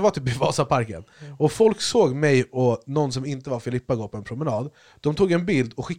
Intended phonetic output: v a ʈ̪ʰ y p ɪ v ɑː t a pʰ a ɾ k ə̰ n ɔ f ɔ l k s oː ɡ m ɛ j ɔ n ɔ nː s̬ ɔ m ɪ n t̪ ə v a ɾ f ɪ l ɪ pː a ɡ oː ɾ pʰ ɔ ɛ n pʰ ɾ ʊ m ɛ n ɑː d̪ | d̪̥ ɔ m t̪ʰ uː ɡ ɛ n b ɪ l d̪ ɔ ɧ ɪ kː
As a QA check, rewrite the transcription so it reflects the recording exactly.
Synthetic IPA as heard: v a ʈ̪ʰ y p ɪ v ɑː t a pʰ a ɾ k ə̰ n ɔ f ɔ l k s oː ɡ m ɛ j ɔ n ɔ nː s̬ ɔ m ɪ n t̪ ə v a ɾ f ɪ l ɪ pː a ɡ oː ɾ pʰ ɔ ɛ n pʰ ɾ ʊ m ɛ n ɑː d̪ | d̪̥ ɔ m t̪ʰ uː ɡ ɛ n b ɪ l d̪ ɔ ɧ ɪ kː